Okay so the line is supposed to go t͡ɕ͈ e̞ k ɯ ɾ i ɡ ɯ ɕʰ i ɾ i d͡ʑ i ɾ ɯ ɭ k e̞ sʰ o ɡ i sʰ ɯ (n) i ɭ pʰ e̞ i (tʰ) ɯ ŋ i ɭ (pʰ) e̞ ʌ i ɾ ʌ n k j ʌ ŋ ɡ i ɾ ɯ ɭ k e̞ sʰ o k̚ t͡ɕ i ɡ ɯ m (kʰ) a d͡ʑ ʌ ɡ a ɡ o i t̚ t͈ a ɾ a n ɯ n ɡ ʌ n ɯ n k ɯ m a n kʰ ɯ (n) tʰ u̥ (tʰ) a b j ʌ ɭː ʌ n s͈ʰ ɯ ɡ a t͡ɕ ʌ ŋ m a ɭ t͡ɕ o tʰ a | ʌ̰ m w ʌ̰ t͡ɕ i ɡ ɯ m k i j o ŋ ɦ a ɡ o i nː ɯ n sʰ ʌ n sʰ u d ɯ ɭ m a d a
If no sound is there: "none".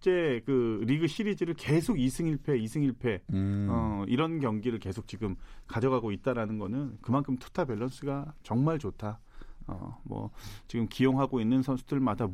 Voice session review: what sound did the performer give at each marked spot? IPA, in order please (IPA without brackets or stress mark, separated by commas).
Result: ŋ, sʰ, pʰ, k, m, tʰ